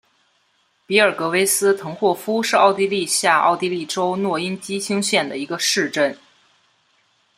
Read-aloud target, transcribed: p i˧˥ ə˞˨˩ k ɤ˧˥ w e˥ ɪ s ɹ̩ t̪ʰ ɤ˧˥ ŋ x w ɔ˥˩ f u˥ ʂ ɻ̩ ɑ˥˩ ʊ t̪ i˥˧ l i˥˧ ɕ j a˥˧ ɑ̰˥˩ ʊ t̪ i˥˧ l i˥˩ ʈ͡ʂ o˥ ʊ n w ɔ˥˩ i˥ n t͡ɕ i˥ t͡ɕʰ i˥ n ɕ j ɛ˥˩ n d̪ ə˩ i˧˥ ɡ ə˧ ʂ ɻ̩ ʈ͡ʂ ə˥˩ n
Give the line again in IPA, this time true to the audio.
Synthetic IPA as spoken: p i˧˥ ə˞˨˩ k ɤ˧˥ w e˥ ɪ s ɹ̩ t̪ʰ ɤ˧˥ ŋ x w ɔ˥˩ f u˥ ʂ ɻ̩ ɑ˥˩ ʊ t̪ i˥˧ l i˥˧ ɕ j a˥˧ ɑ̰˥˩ ʊ t̪ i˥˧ l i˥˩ ʈ͡ʂ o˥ ʊ n w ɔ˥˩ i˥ n t͡ɕ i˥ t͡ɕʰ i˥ ŋ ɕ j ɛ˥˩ n d̪ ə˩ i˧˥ ɡ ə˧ ʂ ɻ̩ ʈ͡ʂ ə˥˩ n